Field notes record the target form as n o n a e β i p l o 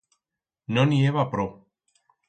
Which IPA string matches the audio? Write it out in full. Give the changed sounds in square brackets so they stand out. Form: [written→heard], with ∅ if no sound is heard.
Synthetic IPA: n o n [a→i] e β [i→a] p [l→ɾ] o